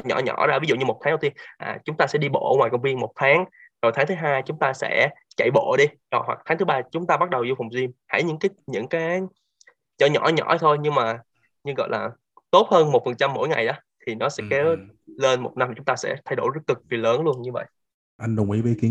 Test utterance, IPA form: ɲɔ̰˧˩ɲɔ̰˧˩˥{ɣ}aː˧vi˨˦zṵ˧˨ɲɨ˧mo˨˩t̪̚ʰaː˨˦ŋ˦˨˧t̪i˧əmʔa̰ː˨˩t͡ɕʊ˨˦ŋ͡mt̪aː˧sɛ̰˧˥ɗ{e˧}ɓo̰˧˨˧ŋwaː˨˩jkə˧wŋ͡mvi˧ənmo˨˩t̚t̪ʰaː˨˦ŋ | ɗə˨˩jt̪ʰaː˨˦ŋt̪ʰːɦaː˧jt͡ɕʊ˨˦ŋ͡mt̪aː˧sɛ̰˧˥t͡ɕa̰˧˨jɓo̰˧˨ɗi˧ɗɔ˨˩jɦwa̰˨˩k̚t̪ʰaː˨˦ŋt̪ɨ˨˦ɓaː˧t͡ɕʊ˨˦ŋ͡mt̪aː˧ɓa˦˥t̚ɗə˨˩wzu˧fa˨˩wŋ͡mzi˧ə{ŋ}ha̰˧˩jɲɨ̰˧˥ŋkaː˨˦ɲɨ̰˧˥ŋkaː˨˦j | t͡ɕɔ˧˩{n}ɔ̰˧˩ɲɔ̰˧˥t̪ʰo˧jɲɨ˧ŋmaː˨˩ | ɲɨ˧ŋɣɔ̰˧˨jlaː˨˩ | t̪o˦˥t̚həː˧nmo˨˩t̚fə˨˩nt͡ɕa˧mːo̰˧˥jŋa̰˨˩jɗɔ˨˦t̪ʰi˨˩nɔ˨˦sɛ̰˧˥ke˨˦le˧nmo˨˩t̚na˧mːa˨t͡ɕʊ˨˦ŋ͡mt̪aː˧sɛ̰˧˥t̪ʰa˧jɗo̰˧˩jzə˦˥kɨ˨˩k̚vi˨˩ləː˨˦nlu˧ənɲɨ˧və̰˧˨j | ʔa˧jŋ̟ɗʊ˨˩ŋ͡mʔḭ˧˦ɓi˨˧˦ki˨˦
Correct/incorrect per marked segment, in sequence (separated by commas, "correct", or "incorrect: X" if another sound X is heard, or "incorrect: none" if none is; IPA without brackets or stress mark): incorrect: z, incorrect: i˧, incorrect: m, incorrect: ɲ